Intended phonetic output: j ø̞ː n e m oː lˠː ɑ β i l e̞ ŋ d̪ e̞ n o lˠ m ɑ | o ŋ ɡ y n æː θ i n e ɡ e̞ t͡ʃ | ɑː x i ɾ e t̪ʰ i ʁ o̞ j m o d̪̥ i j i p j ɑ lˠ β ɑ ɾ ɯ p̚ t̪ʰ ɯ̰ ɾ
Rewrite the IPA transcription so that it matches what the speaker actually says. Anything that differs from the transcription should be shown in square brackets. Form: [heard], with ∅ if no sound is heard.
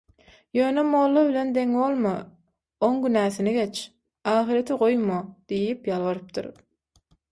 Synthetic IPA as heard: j ø̞ː n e m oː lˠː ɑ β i l e̞ [n] d̪ e̞ [ŋ] o lˠ m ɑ | o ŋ ɡ y n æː θ i n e ɡ e̞ t͡ʃ | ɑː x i ɾ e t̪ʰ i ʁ o̞ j m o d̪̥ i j i p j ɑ lˠ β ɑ ɾ ɯ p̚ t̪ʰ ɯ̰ ɾ